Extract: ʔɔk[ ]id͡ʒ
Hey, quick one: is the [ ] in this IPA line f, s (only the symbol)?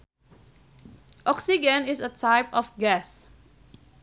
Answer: s